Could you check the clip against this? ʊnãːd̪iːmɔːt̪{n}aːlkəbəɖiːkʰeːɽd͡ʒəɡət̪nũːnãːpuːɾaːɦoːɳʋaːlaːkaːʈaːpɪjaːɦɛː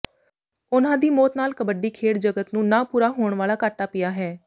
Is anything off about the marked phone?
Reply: no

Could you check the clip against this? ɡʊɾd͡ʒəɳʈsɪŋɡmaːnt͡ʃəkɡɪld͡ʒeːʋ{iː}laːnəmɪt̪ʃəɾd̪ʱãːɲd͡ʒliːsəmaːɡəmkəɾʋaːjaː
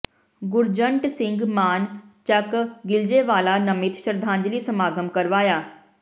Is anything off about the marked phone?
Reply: yes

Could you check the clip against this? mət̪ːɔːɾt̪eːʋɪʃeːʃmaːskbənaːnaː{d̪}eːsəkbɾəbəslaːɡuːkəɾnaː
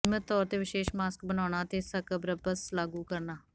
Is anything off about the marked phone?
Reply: yes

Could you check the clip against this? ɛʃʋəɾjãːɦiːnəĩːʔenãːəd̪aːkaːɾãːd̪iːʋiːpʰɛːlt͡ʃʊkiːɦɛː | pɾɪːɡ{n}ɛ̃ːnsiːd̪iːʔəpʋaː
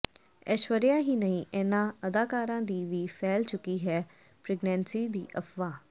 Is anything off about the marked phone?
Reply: no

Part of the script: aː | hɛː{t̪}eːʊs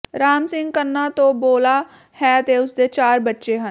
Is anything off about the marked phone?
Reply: no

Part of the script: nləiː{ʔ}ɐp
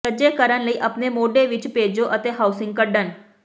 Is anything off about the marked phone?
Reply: no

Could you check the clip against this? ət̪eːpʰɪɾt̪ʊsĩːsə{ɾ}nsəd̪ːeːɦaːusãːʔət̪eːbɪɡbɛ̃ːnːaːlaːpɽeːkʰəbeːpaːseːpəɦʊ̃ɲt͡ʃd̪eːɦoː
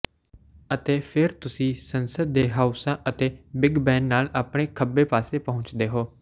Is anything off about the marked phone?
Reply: yes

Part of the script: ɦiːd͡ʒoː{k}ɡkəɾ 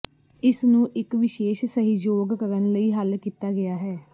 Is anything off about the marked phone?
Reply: yes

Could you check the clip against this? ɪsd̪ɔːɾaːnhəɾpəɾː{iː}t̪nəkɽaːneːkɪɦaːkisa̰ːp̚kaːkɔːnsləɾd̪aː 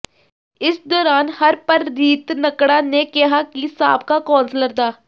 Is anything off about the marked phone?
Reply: no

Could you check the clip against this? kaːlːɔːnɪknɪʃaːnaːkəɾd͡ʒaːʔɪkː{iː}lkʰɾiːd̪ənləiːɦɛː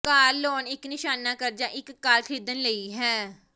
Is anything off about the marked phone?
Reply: yes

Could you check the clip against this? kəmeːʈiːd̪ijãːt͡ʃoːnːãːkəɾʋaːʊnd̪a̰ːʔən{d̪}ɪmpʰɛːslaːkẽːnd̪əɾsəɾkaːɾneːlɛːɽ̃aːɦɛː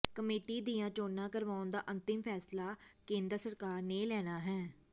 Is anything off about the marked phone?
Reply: yes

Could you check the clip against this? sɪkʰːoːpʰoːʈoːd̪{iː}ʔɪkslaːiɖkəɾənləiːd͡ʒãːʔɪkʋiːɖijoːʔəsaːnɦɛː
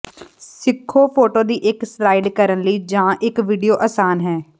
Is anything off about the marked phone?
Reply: no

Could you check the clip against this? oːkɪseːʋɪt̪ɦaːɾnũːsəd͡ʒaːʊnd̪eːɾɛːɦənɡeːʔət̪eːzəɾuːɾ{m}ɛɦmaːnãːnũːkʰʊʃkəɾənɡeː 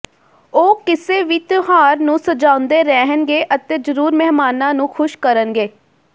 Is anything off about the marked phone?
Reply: no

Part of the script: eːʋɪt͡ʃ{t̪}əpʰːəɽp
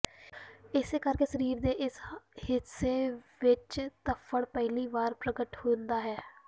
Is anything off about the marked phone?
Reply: no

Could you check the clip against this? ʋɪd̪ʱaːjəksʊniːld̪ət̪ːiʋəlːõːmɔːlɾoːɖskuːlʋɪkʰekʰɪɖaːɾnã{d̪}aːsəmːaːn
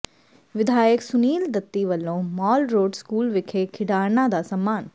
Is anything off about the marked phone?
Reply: no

